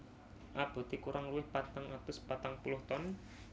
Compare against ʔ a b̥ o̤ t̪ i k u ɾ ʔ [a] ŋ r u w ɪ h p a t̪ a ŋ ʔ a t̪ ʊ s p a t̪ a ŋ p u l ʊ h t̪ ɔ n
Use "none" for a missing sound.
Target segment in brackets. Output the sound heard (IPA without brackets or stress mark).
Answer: a